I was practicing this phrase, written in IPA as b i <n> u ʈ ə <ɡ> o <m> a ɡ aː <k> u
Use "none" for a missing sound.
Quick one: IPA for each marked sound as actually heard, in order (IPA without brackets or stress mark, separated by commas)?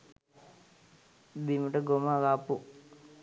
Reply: m, ɡ, m, p